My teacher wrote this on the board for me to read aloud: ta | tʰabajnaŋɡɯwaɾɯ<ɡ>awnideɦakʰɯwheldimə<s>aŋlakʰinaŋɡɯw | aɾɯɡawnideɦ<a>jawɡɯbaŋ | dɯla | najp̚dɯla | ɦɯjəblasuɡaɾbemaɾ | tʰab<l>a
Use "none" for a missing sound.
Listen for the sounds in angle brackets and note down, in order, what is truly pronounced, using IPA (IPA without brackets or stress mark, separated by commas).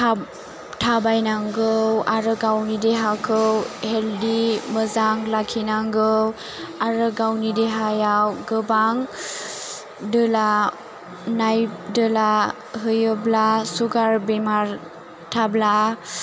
ɡ, z, a, l